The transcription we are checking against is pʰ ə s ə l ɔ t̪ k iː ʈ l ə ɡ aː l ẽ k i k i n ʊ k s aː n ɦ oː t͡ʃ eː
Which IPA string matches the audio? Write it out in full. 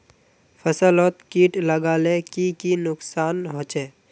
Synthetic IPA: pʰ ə s ə l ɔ t̪ k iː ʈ l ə ɡ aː l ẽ k i k i n ʊ k s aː n ɦ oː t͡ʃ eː